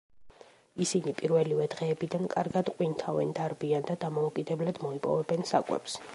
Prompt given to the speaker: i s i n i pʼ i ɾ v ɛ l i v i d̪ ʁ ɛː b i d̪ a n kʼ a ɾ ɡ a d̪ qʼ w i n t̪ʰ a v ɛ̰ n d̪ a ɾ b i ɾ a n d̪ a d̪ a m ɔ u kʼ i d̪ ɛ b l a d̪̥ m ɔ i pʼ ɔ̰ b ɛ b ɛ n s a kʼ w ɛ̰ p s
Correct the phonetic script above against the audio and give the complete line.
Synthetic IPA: i s i n i pʼ i ɾ v ɛ l i v ɛ d̪ ʁ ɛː b i d̪ a n kʼ a ɾ ɡ a d̪ qʼ w i n t̪ʰ a v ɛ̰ n d̪ a ɾ b i a n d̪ a d̪ a m ɔ u kʼ i d̪ ɛ b l a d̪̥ m ɔ i pʼ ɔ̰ v ɛ b ɛ n s a kʼ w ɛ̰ p s